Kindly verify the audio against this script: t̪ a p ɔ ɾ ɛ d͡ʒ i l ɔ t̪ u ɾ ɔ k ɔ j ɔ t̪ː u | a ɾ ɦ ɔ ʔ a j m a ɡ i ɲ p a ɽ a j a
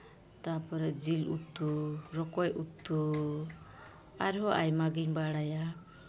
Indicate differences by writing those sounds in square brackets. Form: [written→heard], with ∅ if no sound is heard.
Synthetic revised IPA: t̪ a p ɔ ɾ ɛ d͡ʒ i l [ɔ→u] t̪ u ɾ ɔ k ɔ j [ɔ→u] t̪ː u | a ɾ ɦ ɔ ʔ a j m a ɡ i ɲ [p→b] a ɽ a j a